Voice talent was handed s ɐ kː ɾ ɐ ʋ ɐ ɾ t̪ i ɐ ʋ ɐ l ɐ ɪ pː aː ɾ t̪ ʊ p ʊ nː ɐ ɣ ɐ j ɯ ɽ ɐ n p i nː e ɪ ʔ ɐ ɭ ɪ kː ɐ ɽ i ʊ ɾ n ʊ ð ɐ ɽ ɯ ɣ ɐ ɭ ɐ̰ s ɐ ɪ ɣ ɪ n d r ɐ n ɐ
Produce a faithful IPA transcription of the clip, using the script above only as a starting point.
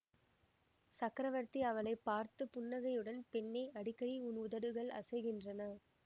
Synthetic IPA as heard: s ɐ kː ɾ ɐ ʋ ɐ ɾ t̪ i ɐ ʋ ɐ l ɐ ɪ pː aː ɾ t̪ ɯ p ʊ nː ɐ ɣ ɐ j ɯ ɽ ɐ n p ɛ nː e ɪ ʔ ɐ ɽ ɪ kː ɐ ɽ i ʊ n ʊ ð ɐ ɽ ɯ ɣ ɐ ɭ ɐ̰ s ɐ ɪ ɣ ɪ n d r ɐ n ɐ